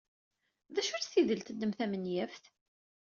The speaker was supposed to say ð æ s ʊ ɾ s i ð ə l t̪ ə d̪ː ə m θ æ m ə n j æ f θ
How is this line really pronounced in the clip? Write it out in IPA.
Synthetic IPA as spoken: ð æ ʃ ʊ ɾ s i ð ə l t̪ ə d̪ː ə m θ æ m ə n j æ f θ

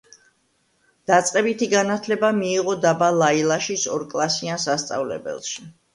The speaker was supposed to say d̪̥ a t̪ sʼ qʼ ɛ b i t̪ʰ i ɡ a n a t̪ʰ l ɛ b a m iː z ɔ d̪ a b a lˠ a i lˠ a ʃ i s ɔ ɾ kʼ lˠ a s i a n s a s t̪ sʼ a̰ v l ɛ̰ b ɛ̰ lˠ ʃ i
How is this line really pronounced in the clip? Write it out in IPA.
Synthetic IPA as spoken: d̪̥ a t̪ sʼ qʼ ɛ b i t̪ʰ i ɡ a n a t̪ʰ l ɛ b a m iː ʁ ɔ d̪ a b a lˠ a i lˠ a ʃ i s ɔ ɾ kʼ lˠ a s i a n s a s t̪ sʼ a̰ v l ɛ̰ b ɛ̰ lˠ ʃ i

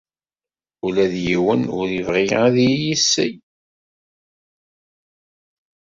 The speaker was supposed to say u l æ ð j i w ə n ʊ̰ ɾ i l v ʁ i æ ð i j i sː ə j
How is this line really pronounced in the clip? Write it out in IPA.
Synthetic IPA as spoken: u l æ ð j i w ə n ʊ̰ ɾ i v ʁ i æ ð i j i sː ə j

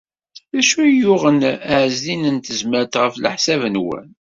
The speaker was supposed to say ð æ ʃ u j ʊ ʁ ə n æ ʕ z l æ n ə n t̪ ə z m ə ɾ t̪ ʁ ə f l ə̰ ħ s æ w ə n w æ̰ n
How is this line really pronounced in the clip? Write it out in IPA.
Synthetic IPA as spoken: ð æ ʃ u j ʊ ʁ ə n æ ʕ z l i n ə n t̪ ə z m ə ɾ t̪ ʁ ə f l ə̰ ħ s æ v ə n w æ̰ n

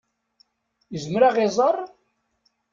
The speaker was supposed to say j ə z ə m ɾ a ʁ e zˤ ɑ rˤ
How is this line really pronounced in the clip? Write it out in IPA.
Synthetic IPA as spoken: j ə z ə m ɾ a ʁ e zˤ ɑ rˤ

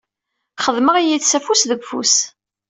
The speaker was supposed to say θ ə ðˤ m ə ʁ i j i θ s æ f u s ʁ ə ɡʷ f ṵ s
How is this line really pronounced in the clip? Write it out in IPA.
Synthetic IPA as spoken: χ ə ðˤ m ə ʁ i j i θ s æ f u s ð ə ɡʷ f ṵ s

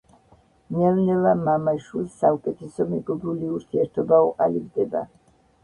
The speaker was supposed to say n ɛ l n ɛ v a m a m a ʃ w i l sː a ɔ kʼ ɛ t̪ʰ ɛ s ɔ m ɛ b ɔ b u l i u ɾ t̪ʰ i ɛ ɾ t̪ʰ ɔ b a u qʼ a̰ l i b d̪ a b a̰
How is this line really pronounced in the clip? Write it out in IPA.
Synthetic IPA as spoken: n ɛ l n ɛ v a m a m a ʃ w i l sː a u kʼ ɛ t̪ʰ ɛ s ɔ m ɛ ɡ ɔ b u l i u ɾ t̪ʰ i ɛ ɾ t̪ʰ ɔ b a u qʼ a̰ l i b d̪ ɛ b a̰

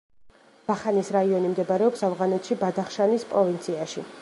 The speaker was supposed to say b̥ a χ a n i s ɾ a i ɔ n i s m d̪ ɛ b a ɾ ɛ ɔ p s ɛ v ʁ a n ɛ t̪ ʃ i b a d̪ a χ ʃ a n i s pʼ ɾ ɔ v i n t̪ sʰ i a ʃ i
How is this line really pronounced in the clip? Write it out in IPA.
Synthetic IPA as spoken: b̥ a χ a n i s ɾ a i ɔ n i m d̪ ɛ b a ɾ ɛ ɔ p s a v ʁ a n ɛ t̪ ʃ i b a d̪ a χ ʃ a n i s pʼ ɾ ɔ v i n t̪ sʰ i a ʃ i

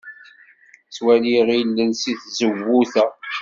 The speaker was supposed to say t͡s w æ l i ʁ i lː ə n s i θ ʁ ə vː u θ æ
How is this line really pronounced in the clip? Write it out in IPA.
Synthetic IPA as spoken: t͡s w æ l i ʁ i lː ə n s i θ z ə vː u θ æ

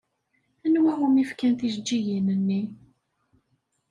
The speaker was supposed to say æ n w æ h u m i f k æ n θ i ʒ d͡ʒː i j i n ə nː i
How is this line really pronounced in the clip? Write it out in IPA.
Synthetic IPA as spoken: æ n w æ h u m i f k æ n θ i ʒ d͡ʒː i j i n ə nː i

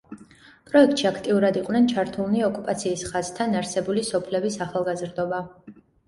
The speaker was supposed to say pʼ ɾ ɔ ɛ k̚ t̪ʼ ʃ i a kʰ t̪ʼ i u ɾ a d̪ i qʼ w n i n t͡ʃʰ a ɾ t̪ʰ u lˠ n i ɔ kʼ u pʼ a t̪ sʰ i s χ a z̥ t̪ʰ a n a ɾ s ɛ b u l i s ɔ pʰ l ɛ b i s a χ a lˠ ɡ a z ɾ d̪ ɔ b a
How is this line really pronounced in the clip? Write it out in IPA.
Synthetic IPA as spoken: pʼ ɾ ɔ ɛ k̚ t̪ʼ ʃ i a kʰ t̪ʼ i u ɾ a d̪ i qʼ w n ɛ n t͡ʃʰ a ɾ t̪ʰ u lˠ n i ɔ kʼ u pʼ a t̪ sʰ iː s χ a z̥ t̪ʰ a n a ɾ s ɛ b u l i s ɔ pʰ l ɛ b i s a χ a lˠ ɡ a z ɾ d̪ ɔ b a

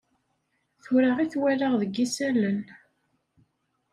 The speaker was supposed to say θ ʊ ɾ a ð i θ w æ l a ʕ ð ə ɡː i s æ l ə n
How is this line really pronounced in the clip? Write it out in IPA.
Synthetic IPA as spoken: θ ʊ ɾ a ʁ i θ w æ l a ʁ ð ə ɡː i s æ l ə n

